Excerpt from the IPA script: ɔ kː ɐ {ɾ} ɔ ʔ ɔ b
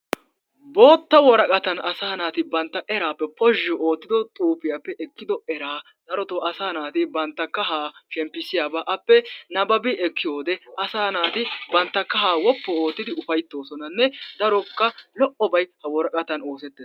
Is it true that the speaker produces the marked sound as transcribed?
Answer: no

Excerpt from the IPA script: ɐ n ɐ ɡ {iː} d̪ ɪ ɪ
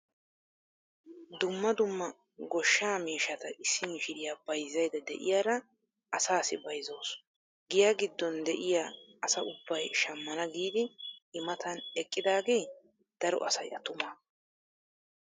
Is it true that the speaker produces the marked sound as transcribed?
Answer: yes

